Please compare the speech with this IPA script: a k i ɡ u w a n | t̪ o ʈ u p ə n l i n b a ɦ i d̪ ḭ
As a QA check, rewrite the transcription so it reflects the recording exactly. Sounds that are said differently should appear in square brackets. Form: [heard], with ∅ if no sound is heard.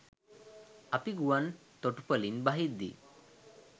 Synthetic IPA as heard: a [p] i ɡ u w a n | t̪ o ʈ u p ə [∅] l i n b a ɦ i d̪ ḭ